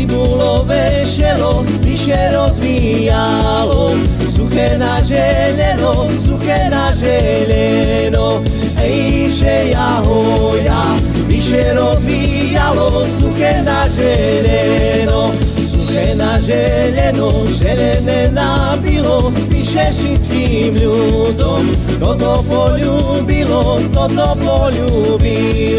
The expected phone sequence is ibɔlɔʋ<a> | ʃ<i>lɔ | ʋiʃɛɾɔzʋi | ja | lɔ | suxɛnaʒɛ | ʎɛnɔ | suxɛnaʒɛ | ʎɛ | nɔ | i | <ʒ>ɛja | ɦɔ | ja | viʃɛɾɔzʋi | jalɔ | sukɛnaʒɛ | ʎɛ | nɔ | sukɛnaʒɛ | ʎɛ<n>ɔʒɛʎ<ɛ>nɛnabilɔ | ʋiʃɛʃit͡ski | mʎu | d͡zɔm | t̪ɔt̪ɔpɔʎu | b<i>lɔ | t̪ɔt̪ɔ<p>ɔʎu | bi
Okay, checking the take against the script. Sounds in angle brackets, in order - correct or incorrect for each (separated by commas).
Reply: incorrect, incorrect, incorrect, correct, correct, correct, correct